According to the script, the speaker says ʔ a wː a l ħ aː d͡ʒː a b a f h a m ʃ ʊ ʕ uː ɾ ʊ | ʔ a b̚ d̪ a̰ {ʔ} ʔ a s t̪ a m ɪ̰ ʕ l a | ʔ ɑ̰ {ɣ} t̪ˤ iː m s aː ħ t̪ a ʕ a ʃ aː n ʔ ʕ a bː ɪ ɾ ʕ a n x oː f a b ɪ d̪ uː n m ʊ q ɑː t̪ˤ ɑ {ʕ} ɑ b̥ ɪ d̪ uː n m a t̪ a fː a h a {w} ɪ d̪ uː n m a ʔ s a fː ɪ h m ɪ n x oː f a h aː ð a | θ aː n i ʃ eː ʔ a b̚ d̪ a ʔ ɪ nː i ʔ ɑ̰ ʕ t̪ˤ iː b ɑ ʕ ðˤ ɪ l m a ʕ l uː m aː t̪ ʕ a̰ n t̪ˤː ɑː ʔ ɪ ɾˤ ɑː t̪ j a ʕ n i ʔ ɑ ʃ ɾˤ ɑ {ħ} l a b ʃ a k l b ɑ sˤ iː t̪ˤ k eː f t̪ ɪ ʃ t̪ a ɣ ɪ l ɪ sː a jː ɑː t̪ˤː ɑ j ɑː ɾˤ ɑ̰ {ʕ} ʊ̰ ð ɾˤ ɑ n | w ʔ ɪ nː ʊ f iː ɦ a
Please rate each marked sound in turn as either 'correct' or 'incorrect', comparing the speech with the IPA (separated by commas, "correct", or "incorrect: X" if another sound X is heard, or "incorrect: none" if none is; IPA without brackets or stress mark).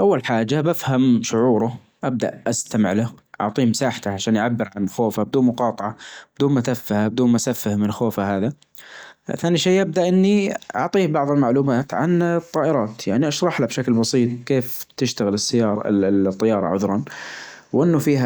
correct, incorrect: ʕ, correct, incorrect: b, correct, correct